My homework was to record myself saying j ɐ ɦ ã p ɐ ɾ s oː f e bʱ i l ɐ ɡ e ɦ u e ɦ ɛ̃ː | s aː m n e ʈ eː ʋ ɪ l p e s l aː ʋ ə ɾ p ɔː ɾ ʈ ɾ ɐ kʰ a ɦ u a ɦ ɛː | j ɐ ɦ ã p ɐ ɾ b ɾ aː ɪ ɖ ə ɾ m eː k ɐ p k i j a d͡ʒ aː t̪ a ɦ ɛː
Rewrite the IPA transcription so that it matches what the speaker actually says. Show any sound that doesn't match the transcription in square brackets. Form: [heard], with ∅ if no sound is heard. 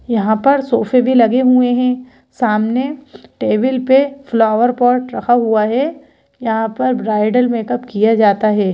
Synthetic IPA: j ɐ ɦ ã p ɐ ɾ s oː f e bʱ i l ɐ ɡ e ɦ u e ɦ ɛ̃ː | s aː m n e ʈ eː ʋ ɪ l p e [f] l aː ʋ ə ɾ p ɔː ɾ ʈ ɾ ɐ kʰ a ɦ u a ɦ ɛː | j ɐ ɦ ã p ɐ ɾ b ɾ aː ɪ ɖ ə [l] m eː k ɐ p k i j a d͡ʒ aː t̪ a ɦ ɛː